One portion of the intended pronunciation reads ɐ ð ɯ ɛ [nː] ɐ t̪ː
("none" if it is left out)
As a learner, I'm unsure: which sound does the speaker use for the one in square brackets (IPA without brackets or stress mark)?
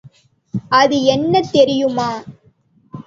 nː